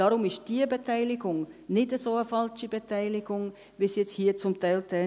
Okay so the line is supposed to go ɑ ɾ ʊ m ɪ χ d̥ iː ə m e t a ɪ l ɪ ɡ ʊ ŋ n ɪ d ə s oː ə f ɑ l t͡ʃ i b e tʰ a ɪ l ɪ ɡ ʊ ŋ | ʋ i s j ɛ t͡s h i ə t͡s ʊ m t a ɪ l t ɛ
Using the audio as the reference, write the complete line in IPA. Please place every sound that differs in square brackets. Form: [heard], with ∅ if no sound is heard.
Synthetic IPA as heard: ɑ ɾ ʊ m ɪ [ʃ] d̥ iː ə [b] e t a ɪ l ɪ ɡ ʊ ŋ n ɪ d ə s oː ə f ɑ l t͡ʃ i b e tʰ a ɪ l ɪ ɡ ʊ ŋ | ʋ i s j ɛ t͡s h [iː] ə t͡s ʊ m t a ɪ l t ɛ